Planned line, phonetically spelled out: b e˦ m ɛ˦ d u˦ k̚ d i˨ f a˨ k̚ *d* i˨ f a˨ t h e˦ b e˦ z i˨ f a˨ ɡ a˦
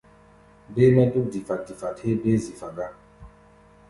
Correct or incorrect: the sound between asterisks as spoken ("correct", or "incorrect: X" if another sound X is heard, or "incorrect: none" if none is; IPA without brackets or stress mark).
correct